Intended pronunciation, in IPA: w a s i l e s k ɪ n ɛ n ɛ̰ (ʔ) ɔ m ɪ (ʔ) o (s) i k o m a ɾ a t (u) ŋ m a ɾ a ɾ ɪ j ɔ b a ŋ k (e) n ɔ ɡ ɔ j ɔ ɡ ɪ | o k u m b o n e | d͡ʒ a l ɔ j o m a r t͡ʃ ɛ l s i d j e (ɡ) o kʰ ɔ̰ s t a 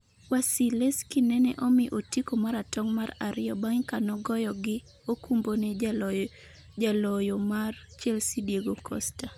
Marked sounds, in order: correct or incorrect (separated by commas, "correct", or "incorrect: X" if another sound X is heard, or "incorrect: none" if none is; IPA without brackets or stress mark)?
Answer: correct, correct, incorrect: t, incorrect: ɔ, incorrect: a, correct